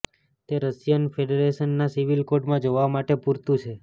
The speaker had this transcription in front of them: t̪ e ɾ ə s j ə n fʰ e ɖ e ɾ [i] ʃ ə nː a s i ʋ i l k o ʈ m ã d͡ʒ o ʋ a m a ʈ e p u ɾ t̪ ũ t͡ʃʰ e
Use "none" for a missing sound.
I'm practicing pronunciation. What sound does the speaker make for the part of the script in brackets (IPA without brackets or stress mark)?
e